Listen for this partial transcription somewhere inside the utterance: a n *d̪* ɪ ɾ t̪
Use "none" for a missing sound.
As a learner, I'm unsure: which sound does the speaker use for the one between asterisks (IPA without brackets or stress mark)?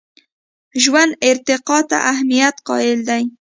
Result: d̪